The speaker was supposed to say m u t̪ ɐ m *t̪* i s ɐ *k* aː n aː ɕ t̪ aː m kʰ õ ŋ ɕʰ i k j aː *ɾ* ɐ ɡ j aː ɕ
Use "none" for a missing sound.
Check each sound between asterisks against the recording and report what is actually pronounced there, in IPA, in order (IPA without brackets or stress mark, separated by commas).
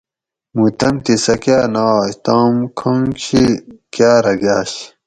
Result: t̪, k, ɾ